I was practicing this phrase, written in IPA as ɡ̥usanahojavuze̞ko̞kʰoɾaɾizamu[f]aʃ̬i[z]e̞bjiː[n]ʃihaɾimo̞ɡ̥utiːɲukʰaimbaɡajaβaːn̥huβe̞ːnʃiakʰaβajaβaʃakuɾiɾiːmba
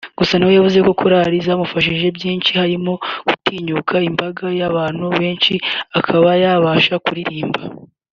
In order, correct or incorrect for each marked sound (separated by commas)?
correct, incorrect, correct